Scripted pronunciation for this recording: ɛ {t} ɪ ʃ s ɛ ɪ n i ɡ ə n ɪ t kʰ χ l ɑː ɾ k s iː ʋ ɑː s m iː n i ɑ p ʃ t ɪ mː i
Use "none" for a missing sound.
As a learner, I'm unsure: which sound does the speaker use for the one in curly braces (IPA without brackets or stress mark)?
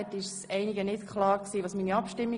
t